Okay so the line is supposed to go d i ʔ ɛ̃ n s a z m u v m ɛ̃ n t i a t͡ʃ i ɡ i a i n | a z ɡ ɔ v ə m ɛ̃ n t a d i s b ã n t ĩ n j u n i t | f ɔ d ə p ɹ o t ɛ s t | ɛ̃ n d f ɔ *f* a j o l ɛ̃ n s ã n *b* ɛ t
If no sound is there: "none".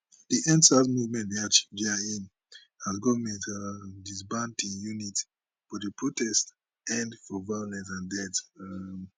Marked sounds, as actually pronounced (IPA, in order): v, d

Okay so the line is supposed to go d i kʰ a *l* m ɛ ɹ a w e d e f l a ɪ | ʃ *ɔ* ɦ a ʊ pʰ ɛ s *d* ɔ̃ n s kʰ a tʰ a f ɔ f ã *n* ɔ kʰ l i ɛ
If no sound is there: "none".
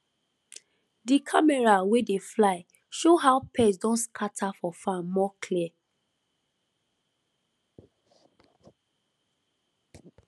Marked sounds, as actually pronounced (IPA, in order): none, o, d, m

